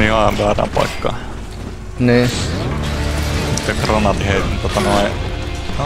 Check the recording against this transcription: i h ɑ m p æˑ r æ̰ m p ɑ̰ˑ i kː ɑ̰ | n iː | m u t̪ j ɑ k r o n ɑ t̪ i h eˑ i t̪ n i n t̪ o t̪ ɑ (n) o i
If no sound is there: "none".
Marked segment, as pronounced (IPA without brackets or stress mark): n